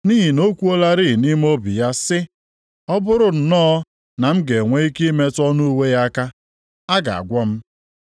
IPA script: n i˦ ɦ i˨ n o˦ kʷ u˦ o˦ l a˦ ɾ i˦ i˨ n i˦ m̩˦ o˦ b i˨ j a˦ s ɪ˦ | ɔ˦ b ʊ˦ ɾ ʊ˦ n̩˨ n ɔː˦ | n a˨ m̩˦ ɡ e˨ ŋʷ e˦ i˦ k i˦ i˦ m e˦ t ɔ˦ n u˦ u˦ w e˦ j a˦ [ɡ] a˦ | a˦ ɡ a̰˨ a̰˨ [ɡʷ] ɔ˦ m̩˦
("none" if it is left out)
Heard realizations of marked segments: k, ɡʷ

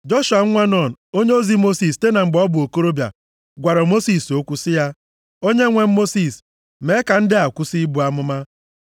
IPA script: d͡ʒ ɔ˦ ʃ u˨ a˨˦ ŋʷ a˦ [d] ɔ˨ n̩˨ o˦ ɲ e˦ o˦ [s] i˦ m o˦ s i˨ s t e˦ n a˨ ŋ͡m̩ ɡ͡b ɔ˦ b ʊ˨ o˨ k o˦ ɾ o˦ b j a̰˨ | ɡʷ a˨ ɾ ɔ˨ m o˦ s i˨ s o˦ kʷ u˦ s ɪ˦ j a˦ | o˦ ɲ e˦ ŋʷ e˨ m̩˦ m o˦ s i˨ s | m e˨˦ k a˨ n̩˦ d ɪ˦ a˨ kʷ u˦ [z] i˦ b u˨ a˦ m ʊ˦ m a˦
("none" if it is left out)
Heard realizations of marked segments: n, z, s

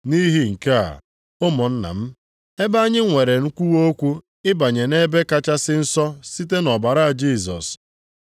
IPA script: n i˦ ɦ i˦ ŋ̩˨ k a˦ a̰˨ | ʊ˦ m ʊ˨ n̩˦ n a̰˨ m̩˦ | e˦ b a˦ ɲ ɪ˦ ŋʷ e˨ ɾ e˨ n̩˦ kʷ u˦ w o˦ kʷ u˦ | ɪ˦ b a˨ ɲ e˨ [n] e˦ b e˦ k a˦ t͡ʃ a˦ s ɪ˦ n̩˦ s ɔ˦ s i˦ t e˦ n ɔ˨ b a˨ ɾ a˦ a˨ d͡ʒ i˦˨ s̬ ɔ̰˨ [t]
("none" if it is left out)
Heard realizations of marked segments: n, s

